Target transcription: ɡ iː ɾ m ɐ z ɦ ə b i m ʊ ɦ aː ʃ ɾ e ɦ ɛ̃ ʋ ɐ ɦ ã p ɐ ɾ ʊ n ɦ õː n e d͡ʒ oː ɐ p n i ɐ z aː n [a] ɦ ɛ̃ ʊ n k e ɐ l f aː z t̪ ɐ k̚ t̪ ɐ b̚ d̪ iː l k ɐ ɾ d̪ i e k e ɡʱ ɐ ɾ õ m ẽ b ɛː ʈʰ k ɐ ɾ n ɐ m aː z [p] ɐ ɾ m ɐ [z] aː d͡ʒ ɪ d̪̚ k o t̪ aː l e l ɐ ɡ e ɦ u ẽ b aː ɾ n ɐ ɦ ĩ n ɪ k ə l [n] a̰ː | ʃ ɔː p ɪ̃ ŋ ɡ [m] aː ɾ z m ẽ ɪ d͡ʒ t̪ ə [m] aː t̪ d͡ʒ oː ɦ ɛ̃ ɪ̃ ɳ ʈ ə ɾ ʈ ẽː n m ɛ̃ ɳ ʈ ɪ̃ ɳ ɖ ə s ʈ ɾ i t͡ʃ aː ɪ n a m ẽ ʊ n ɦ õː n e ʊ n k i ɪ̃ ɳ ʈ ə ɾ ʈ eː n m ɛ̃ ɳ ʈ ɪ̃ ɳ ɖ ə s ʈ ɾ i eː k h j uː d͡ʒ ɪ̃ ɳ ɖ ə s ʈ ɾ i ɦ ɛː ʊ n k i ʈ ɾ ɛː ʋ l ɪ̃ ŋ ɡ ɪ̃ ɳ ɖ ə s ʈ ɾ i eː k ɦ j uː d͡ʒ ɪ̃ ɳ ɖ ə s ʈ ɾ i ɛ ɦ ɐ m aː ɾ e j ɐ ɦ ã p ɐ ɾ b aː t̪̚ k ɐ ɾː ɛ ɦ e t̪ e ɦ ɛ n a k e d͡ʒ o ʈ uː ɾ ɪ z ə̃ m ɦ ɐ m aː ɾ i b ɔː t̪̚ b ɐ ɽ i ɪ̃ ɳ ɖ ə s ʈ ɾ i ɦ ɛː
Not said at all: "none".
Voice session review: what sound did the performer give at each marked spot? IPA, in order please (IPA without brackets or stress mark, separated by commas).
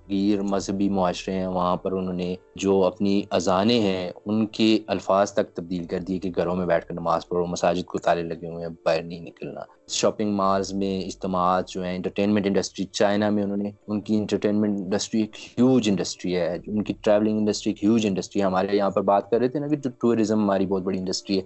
e, p, s, n, m, m